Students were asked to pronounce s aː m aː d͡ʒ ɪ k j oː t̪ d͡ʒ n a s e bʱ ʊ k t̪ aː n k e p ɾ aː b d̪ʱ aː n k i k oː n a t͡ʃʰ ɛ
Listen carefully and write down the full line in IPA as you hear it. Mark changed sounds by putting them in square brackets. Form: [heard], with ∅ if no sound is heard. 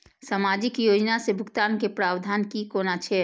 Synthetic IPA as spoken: s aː m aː d͡ʒ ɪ k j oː [∅] d͡ʒ n a s e bʱ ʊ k t̪ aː n k e p ɾ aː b d̪ʱ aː n k i k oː n a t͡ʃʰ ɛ